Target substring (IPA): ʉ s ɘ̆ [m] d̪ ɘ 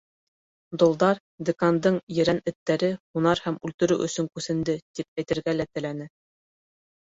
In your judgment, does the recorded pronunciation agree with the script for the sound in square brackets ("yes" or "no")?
no